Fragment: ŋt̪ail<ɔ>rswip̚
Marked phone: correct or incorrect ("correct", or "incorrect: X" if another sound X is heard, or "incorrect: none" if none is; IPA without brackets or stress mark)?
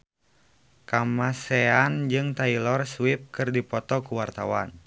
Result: correct